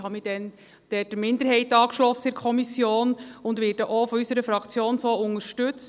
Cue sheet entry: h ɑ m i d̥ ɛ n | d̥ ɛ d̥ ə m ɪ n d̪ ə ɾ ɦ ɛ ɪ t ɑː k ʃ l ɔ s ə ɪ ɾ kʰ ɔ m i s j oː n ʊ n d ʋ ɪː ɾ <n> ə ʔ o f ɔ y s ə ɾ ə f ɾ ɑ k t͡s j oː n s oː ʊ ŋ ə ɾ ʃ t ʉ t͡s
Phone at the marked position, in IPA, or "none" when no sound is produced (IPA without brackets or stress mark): d